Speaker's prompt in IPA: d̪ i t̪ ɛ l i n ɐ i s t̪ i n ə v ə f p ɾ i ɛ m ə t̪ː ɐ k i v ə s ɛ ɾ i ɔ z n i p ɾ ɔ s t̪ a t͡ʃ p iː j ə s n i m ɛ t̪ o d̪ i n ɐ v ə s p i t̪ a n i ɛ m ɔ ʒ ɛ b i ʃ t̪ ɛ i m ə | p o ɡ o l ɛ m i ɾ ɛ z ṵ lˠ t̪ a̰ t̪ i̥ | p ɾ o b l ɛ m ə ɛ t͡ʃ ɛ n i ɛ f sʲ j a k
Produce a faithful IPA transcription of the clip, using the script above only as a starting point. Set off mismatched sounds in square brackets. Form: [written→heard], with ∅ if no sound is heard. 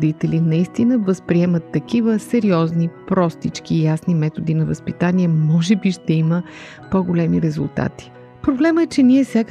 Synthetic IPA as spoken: d̪ i t̪ ɛ l i n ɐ i s t̪ i n ə v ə [f→s] p ɾ i ɛ m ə t̪ː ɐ k i v ə s ɛ ɾ i ɔ z n i p ɾ ɔ s t̪ [a→i] t͡ʃ [p→k] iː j [ə→a] s n i m ɛ t̪ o d̪ i n ɐ v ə s p i t̪ a n i ɛ m ɔ ʒ ɛ b i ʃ t̪ ɛ i m ə | p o ɡ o l ɛ m i ɾ ɛ z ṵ lˠ t̪ a̰ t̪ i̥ | p ɾ o b l ɛ m ə ɛ t͡ʃ ɛ n i ɛ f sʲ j a k